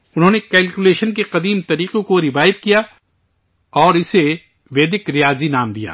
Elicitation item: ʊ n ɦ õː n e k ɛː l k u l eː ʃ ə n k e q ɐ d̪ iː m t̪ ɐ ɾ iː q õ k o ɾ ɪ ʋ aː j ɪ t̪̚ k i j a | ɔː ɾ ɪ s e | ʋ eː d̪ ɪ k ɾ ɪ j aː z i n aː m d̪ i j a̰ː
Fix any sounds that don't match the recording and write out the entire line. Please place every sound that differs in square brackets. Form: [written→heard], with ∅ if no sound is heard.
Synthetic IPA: ʊ n ɦ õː n e k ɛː l k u l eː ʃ ə n k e q ɐ d̪ iː m t̪ ɐ ɾ iː q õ k o ɾ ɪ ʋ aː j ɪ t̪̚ k i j a | ɔː ɾ ɪ s e | ʋ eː d̪ ɪ k ɾ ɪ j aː z i n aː m d̪ i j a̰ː